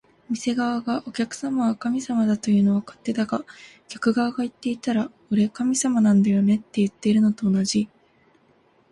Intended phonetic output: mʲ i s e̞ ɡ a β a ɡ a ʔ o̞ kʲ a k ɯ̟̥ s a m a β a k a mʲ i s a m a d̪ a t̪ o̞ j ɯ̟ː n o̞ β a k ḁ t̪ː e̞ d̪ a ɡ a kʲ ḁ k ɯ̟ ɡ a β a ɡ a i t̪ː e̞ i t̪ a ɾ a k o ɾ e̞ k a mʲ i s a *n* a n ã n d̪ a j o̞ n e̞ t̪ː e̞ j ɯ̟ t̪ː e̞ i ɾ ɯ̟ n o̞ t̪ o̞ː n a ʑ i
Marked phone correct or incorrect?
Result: incorrect